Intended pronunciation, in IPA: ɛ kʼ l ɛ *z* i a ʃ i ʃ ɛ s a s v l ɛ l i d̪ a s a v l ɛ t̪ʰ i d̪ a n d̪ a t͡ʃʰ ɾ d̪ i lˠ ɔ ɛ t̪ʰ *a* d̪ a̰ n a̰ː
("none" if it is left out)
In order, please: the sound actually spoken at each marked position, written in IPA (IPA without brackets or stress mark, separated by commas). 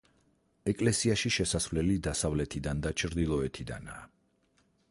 s, i